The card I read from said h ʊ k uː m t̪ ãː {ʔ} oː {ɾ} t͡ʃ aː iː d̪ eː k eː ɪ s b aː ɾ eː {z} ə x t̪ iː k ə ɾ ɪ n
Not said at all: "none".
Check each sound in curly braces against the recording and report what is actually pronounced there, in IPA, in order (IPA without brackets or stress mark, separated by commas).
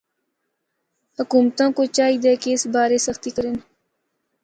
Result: k, none, s